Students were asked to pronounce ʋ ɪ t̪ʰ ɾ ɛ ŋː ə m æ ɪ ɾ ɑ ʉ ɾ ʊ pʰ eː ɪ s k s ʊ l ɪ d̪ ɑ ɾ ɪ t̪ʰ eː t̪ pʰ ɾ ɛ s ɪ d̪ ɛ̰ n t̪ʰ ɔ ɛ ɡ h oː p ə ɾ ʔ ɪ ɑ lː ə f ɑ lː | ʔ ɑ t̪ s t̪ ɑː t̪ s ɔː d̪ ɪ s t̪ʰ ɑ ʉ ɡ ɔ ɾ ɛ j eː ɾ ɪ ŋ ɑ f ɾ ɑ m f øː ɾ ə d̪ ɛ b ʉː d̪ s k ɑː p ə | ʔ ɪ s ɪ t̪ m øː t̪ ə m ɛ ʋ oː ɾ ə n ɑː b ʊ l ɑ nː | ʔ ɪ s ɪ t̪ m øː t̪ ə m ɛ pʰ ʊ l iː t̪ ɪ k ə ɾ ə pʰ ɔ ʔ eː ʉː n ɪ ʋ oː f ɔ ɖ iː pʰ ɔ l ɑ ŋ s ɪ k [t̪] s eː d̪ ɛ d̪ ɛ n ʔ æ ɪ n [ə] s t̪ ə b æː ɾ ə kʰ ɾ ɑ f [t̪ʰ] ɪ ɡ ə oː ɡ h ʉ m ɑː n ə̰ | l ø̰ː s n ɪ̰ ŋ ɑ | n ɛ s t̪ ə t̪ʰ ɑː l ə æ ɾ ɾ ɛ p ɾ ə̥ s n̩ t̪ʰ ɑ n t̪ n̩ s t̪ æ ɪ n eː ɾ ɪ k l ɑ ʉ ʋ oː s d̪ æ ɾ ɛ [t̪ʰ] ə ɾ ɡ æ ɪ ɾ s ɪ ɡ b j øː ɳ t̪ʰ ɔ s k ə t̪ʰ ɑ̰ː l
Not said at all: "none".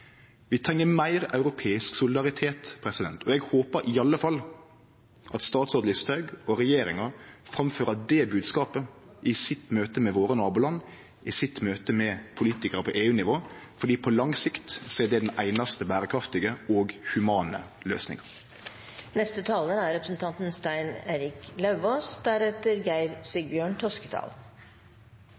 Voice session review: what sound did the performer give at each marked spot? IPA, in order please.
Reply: t̪, ɑ, t̪, t̪

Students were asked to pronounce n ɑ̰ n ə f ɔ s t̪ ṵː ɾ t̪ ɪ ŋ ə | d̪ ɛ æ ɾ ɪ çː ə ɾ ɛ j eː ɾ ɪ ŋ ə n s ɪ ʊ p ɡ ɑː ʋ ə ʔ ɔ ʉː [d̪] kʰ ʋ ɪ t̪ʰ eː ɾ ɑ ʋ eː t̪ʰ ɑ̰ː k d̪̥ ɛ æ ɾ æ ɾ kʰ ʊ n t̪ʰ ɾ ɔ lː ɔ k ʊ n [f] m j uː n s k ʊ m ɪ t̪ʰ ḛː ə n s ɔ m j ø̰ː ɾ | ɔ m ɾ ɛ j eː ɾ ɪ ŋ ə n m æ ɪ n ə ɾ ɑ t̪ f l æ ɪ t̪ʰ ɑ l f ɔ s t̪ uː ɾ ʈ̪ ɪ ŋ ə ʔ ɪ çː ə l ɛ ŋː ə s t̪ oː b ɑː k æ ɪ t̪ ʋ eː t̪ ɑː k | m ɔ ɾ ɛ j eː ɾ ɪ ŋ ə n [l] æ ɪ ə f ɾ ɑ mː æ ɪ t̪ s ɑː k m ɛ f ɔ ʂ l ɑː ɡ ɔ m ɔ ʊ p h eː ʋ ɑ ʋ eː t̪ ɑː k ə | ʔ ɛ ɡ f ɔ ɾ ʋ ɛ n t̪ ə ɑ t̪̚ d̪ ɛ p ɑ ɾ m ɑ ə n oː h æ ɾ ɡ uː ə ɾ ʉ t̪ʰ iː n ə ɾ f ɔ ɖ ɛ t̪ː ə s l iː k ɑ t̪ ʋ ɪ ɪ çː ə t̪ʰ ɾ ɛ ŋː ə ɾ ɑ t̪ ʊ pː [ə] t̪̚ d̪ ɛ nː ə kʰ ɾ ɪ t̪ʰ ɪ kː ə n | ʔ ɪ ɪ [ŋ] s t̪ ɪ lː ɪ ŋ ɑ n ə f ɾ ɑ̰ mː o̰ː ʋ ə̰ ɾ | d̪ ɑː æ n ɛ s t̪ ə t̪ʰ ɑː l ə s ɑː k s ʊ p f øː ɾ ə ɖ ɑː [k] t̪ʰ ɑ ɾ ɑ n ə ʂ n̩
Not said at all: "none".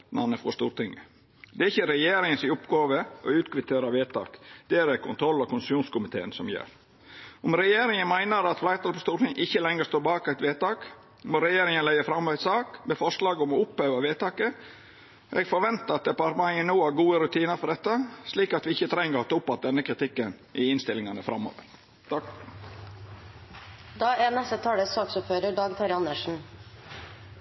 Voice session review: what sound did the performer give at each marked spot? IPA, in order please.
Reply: t̪, s, l, ɑ, n, ɡ

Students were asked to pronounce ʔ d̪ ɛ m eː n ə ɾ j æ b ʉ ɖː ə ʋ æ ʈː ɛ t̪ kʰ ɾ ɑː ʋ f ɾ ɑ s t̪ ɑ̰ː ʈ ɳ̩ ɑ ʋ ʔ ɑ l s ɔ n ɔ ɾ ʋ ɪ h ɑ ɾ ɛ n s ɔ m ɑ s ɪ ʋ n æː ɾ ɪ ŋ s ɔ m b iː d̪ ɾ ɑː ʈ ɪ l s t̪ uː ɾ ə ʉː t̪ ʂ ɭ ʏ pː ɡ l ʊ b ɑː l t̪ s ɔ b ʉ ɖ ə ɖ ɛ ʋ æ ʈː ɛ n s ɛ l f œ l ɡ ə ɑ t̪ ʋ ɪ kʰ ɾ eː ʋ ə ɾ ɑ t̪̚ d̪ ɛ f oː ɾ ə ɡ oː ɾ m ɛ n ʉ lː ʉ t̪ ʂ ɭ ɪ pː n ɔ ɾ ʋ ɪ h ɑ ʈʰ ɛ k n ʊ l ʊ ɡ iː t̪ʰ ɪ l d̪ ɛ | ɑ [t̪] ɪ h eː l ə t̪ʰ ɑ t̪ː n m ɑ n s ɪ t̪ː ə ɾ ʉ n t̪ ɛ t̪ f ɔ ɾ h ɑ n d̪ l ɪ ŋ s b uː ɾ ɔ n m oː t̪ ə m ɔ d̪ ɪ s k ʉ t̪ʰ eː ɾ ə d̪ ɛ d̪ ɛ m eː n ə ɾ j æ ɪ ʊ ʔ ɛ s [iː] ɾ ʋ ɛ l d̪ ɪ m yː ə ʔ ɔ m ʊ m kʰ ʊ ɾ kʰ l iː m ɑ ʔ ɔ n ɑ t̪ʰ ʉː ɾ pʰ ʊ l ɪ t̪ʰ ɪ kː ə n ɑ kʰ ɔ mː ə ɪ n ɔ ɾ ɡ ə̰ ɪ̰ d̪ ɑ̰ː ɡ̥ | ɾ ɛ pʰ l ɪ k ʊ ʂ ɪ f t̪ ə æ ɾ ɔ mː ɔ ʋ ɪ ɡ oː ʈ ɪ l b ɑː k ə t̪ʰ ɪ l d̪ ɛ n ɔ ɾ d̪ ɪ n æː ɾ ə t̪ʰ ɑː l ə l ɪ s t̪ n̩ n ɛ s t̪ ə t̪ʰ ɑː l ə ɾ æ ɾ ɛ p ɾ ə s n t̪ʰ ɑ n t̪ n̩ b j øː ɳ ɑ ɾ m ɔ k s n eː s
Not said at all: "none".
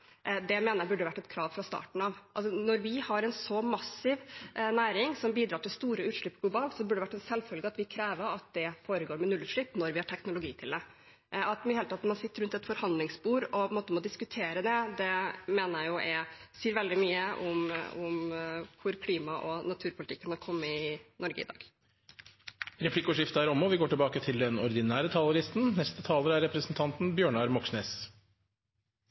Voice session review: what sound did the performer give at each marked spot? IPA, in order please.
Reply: t̪, iː

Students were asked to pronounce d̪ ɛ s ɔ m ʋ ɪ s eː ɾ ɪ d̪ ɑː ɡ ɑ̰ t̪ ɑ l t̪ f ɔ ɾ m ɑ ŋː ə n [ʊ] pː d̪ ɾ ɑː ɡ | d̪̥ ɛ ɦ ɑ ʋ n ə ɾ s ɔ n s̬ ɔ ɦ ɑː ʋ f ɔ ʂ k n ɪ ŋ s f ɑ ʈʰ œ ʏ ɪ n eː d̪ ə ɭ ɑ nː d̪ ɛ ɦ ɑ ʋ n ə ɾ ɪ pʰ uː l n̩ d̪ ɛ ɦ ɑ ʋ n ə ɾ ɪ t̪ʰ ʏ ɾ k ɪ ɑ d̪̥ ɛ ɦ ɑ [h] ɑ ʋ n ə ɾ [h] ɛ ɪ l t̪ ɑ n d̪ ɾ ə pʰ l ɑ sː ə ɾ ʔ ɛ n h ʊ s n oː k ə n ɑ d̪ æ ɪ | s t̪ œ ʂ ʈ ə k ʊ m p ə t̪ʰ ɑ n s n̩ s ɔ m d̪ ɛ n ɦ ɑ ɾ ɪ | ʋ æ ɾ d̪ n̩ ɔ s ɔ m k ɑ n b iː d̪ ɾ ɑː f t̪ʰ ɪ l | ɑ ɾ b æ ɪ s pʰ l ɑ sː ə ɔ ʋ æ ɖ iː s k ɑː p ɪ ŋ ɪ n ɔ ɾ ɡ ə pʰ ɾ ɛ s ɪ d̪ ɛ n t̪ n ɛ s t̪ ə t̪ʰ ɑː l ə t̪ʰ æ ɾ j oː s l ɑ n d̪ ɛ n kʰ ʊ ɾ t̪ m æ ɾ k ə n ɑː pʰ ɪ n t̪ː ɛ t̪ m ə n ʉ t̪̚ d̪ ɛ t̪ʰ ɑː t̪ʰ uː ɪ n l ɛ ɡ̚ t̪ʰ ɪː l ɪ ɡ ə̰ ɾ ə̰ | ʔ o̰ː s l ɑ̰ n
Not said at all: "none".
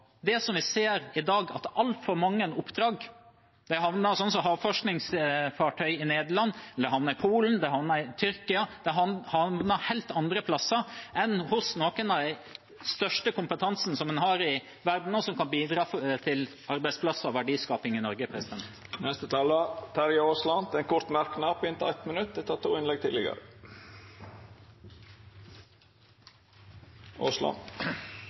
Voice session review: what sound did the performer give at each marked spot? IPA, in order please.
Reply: ʊ, h, h

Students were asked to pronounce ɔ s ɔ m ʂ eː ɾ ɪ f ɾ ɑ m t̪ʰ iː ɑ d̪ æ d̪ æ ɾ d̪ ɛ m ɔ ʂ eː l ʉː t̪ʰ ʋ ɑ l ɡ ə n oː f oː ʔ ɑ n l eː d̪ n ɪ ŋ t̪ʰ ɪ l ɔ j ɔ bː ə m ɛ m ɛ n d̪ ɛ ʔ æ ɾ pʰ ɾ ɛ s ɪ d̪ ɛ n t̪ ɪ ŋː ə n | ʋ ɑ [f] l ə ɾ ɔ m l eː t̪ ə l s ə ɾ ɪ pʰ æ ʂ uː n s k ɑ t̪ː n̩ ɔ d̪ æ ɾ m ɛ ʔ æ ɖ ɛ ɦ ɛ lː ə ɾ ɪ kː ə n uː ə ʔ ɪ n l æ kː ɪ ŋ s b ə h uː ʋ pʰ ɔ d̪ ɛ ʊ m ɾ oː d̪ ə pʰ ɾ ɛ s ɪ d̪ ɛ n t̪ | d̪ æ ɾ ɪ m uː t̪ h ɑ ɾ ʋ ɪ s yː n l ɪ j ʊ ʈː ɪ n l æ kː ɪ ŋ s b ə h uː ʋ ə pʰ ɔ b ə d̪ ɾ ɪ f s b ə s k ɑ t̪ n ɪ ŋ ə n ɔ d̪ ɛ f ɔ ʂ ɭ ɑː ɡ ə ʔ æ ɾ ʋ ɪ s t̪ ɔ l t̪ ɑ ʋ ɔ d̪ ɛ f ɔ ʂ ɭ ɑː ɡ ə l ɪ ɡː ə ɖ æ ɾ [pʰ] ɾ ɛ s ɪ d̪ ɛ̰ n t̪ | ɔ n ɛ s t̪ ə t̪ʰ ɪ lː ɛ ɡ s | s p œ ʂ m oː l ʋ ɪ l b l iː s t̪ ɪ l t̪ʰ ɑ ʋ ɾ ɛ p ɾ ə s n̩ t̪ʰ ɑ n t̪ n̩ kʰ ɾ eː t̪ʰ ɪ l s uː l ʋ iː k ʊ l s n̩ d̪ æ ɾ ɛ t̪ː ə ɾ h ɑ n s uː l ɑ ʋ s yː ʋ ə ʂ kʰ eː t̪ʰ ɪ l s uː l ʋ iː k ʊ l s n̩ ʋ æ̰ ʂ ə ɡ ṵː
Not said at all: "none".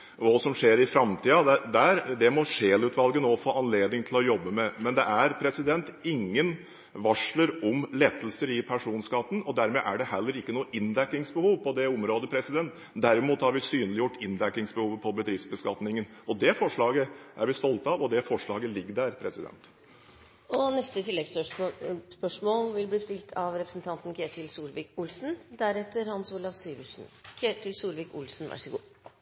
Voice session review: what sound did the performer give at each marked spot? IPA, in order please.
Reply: ʂ, pʰ

